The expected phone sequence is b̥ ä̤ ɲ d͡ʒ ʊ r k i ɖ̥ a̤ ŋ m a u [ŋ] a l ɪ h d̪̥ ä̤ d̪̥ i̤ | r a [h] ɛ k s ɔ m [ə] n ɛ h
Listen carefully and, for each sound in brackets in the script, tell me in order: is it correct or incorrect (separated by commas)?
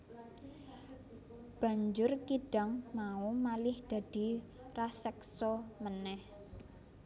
incorrect, incorrect, correct